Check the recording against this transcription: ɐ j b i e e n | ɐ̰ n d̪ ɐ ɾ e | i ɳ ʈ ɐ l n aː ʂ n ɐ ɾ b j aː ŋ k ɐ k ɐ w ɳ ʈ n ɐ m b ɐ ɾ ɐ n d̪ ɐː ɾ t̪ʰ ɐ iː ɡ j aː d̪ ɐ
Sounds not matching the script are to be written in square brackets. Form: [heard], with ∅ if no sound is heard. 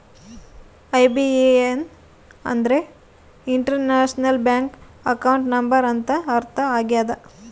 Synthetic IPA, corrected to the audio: ɐ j b i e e n | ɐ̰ n d̪ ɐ ɾ e | i ɳ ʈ ɐ [ɾ] n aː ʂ n ɐ [l] b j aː ŋ k ɐ k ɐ w ɳ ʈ n ɐ m b ɐ ɾ ɐ n [t̪] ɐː ɾ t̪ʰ ɐ [aː] ɡ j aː d̪ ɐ